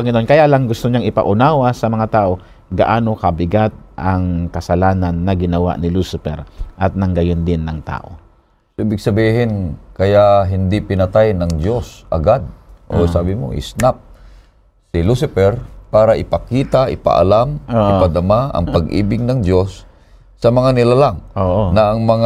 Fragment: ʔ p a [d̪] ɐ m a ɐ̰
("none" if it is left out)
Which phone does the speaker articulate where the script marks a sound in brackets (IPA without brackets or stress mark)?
d̪